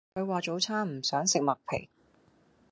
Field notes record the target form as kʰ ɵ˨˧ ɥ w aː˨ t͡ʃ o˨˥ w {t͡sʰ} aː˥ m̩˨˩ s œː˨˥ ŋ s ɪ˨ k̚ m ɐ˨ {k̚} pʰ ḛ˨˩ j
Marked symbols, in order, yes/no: yes, yes

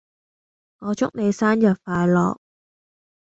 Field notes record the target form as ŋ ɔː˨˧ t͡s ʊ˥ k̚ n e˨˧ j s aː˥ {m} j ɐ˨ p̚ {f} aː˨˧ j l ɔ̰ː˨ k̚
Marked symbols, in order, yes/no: no, yes

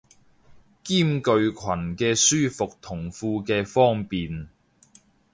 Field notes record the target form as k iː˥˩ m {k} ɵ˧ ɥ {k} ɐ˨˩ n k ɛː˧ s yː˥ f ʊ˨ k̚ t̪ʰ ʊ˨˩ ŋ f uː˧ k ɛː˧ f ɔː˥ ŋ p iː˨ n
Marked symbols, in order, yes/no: yes, no

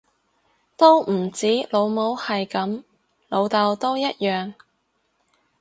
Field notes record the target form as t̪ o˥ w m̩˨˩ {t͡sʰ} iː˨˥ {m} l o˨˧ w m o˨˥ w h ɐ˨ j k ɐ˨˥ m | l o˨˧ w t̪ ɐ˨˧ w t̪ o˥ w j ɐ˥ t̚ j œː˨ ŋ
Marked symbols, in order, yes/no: no, no

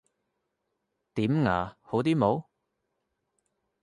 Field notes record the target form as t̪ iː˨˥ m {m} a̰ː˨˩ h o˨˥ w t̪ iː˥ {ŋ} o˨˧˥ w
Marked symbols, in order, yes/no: no, no

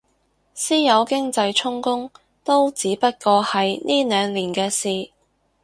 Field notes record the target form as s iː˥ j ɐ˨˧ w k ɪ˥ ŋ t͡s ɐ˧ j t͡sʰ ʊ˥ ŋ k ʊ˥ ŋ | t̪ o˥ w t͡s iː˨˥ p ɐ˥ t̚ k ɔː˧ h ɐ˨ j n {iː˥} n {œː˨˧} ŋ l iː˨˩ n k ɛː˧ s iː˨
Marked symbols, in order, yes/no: yes, yes

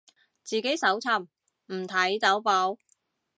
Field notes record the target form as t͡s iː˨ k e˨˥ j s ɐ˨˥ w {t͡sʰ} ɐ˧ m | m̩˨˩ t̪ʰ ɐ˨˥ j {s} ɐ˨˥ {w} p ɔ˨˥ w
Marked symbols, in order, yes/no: yes, no, yes

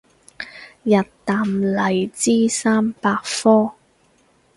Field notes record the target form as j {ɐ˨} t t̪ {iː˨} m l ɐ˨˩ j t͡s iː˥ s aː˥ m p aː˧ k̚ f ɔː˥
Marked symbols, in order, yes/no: yes, no

